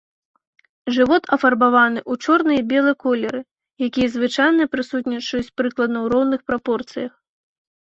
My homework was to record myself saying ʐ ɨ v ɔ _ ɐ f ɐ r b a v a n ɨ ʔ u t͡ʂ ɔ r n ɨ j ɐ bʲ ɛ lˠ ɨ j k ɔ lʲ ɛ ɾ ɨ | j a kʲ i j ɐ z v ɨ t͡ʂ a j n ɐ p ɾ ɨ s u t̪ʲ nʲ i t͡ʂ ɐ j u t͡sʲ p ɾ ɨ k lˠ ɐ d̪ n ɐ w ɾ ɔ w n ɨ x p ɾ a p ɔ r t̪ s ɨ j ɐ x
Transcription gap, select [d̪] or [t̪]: t̪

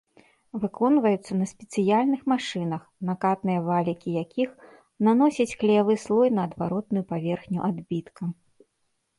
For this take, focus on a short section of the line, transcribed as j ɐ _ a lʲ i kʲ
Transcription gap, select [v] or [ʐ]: v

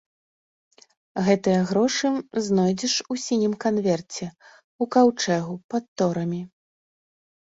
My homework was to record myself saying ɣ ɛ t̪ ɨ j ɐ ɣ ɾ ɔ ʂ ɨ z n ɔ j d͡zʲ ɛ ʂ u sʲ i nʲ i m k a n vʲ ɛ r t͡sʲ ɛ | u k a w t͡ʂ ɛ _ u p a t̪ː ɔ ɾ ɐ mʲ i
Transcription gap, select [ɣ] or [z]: ɣ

